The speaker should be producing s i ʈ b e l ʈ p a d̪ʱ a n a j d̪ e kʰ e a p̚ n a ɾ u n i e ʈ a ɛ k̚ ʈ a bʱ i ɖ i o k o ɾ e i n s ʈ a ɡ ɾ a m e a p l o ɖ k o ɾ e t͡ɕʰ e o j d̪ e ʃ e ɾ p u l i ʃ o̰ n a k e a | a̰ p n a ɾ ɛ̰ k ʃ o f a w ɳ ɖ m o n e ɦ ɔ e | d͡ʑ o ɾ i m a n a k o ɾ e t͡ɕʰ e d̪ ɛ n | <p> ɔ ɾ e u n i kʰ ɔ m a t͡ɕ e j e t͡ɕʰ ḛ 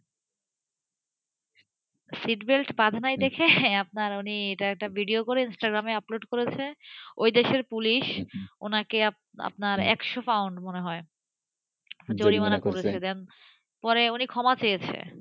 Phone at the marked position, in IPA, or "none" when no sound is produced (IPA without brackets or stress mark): p